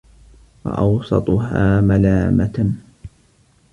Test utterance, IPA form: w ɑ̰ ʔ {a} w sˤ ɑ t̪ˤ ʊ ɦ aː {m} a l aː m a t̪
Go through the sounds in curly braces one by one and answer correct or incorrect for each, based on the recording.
incorrect: ɑ, correct

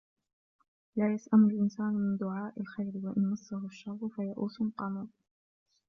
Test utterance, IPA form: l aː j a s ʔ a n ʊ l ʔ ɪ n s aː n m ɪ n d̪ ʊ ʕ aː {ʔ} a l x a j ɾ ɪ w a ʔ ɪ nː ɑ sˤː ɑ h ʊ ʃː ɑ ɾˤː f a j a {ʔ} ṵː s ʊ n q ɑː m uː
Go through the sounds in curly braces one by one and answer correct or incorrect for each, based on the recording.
correct, correct

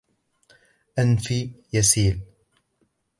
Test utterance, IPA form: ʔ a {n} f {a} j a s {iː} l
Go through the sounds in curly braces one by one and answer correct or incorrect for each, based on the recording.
correct, incorrect: i, correct

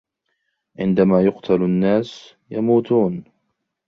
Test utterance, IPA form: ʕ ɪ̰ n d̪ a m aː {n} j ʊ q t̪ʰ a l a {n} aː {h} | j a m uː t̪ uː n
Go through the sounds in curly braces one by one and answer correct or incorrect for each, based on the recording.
incorrect: none, incorrect: nː, incorrect: s

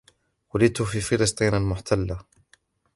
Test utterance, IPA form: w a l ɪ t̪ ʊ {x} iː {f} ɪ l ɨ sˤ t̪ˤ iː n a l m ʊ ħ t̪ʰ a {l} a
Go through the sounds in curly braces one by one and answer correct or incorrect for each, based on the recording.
incorrect: f, correct, incorrect: lː

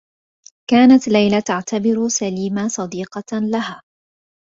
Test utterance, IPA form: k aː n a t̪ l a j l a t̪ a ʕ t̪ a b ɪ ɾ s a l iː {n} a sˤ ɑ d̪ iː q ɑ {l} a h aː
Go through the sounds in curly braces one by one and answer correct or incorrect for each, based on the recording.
incorrect: m, correct

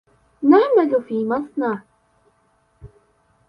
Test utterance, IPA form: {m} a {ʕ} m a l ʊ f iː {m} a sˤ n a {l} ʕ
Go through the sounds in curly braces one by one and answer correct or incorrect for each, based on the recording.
incorrect: n, correct, correct, incorrect: none

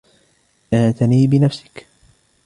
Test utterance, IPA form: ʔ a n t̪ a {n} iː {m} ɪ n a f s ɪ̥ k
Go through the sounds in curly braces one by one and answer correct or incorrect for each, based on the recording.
correct, incorrect: b

